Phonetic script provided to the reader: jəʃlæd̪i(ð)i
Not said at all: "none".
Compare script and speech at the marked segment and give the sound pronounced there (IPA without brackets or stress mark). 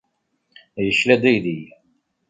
ð